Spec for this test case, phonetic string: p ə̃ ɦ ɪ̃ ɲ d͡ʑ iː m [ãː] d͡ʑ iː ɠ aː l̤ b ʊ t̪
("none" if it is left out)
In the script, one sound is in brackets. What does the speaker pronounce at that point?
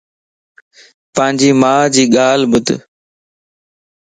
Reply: aː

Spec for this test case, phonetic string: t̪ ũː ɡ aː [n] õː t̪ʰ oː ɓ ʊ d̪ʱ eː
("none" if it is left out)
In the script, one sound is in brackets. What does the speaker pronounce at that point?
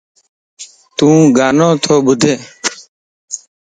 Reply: n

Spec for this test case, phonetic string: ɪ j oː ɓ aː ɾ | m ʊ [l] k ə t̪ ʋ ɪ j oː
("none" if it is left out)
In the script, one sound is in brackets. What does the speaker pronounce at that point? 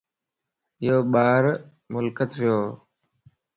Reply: l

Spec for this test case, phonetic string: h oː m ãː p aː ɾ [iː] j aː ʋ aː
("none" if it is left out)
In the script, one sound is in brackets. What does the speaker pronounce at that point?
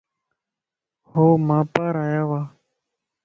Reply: aː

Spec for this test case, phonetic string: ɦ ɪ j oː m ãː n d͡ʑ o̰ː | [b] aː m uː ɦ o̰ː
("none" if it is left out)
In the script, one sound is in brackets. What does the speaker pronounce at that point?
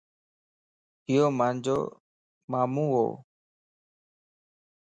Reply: m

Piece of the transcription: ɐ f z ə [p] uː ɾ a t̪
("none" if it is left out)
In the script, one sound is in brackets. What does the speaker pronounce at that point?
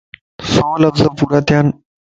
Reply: p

